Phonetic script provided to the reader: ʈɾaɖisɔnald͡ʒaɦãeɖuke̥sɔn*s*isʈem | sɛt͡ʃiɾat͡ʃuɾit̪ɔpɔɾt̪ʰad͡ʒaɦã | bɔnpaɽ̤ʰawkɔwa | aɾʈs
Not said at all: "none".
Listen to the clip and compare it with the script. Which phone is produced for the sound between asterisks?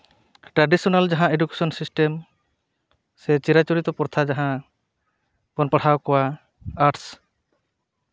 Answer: s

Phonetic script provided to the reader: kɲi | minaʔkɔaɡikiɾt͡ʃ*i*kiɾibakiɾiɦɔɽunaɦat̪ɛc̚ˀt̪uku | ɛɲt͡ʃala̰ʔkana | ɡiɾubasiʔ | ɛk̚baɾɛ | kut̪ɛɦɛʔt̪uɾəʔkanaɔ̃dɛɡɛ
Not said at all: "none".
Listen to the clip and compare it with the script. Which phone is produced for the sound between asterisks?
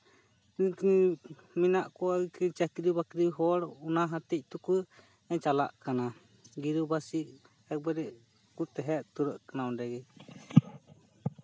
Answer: a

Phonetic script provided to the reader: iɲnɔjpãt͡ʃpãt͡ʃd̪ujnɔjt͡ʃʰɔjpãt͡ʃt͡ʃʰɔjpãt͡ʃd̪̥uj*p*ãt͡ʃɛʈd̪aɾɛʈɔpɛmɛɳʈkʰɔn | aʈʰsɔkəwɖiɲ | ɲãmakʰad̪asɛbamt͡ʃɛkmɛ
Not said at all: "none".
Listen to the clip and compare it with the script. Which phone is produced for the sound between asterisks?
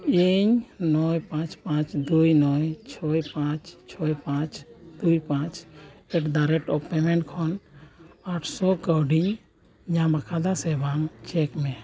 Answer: p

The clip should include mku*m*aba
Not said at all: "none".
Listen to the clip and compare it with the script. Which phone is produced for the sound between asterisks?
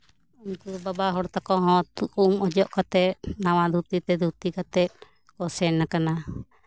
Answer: b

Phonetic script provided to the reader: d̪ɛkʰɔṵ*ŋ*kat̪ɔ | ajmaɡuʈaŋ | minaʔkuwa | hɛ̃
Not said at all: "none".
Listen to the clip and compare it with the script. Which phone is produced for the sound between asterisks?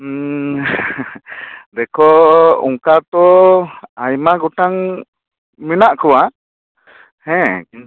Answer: ŋ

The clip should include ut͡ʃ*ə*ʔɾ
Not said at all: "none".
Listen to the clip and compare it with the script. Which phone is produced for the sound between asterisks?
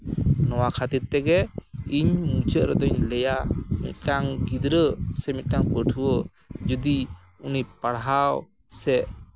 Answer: ə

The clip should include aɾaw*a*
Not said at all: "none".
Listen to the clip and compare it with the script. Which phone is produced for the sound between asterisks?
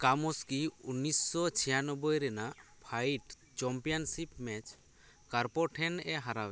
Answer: ɛ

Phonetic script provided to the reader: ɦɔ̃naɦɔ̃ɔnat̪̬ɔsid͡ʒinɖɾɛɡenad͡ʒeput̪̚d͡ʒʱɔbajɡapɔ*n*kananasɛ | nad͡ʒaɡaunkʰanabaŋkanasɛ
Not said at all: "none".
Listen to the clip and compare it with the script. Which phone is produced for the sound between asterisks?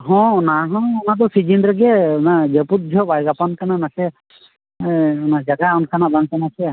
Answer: n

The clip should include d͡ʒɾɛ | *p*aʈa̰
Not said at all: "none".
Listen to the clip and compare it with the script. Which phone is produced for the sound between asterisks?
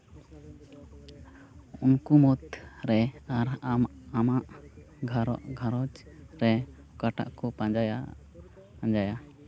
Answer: k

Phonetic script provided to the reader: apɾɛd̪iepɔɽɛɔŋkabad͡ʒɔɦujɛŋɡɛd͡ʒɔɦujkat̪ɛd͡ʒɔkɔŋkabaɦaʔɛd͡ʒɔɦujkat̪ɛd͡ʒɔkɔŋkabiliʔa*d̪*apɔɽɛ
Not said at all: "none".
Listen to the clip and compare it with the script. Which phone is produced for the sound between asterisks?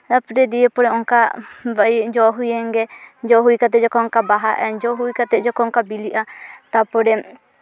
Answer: t̪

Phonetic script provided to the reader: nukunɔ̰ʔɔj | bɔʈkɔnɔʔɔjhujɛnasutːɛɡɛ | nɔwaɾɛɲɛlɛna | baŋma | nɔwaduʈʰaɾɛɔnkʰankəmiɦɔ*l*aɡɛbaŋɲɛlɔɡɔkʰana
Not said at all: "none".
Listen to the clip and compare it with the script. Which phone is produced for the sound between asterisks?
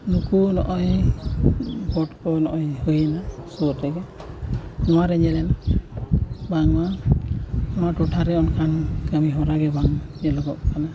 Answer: ɾ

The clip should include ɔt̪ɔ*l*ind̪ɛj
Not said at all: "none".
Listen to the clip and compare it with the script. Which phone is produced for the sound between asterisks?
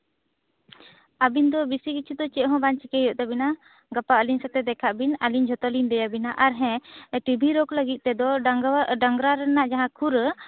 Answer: l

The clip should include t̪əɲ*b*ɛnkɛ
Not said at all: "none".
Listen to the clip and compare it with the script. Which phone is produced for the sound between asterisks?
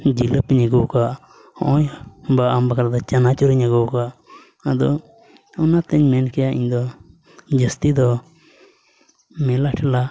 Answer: m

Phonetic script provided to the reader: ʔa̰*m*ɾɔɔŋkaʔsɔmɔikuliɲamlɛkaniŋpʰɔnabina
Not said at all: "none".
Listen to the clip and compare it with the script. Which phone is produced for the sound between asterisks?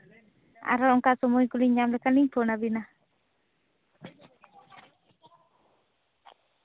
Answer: none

